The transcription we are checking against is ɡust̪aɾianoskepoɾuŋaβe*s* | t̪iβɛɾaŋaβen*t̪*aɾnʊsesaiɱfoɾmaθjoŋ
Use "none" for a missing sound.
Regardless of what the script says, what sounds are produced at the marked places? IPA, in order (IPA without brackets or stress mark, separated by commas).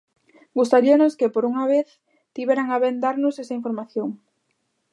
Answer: θ, d̪